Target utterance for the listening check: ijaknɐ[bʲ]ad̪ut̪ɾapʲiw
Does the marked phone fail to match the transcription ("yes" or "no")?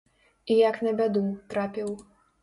no